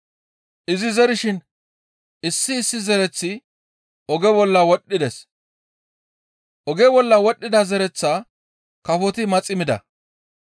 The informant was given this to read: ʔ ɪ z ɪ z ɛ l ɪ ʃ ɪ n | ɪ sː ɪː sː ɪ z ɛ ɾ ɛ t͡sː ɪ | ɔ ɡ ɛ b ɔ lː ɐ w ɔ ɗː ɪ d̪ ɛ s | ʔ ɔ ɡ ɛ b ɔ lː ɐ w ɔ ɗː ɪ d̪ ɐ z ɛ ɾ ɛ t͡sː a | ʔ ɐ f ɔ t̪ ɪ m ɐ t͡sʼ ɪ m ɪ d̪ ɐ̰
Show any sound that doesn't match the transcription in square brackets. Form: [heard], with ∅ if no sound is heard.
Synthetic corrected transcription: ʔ ɪ z ɪ z ɛ [ɾ] ɪ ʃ ɪ n | ɪ sː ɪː sː ɪ z ɛ ɾ ɛ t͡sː ɪ | ɔ ɡ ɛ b ɔ lː ɐ w ɔ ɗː ɪ d̪ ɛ s | ʔ ɔ ɡ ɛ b ɔ lː ɐ w ɔ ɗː ɪ d̪ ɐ z ɛ ɾ ɛ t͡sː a | [k] ɐ f ɔ t̪ ɪ m ɐ t͡sʼ ɪ m ɪ d̪ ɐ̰